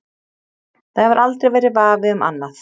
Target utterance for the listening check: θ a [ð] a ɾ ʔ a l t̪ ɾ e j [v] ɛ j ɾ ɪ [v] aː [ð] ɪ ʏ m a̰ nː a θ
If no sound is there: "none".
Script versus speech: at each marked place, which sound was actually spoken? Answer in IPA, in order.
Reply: v, v, v, v

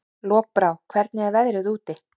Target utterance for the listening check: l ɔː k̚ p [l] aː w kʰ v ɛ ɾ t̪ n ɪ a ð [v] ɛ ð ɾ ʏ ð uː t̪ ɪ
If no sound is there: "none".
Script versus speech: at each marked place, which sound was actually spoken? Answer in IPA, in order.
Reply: ɾ, v

